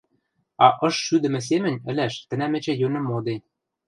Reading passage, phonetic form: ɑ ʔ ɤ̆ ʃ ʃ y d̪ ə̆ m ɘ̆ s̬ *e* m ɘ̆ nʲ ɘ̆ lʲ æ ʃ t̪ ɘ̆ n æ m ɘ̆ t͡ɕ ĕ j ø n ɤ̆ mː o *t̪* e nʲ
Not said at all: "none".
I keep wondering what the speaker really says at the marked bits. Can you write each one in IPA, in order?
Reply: e, d̪

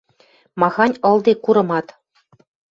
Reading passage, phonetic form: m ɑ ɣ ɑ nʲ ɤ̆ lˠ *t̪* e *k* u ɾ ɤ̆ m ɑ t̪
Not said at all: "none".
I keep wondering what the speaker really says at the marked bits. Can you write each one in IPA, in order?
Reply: d̪, k

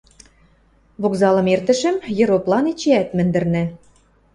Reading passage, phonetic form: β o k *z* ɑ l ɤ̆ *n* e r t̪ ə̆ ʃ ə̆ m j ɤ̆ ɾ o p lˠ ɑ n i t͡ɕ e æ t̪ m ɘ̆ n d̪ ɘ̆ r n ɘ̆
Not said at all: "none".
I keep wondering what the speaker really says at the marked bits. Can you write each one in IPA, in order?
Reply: z, m

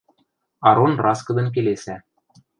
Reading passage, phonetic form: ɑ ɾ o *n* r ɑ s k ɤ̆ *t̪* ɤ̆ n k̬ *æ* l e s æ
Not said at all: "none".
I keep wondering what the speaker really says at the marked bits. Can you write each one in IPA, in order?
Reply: n, d̪, e

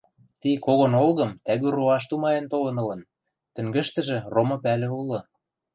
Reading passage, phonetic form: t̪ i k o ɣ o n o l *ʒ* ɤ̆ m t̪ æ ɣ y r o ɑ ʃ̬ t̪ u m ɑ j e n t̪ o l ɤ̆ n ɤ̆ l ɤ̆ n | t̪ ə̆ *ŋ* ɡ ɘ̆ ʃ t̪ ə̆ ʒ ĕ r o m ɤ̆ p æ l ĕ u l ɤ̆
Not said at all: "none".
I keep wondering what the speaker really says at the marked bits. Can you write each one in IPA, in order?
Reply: ɣ, ŋ

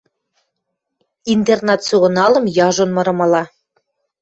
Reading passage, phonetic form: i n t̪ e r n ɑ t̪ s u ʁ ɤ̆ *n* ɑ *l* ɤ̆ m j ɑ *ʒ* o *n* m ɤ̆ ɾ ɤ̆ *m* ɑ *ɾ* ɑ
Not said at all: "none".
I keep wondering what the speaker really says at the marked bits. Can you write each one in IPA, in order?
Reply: n, l, ʒ, n, m, l

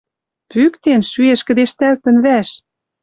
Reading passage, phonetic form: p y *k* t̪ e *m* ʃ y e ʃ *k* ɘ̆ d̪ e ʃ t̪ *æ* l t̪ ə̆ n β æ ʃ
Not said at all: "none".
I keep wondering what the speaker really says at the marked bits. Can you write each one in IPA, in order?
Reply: k, n, k, æ

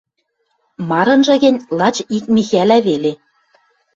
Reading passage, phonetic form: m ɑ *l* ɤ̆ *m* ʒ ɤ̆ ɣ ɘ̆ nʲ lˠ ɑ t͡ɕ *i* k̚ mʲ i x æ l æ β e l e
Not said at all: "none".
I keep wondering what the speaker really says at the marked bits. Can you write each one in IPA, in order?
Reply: ɾ, n, i

